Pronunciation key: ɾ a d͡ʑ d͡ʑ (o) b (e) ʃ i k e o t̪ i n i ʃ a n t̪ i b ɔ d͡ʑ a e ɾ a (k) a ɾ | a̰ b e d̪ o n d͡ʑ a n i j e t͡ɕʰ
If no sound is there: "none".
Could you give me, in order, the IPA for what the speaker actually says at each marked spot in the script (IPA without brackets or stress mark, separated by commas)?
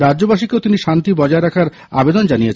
o, a, kʰ